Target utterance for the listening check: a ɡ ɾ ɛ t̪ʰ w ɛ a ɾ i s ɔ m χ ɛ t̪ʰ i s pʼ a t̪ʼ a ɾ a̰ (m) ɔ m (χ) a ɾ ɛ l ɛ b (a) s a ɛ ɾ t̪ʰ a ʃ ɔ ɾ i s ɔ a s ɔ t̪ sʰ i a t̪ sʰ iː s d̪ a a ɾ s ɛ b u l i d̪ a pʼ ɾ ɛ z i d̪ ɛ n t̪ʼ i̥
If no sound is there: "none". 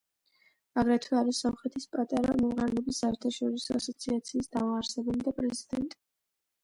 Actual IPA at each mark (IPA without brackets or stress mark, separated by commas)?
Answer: m, ʁ, i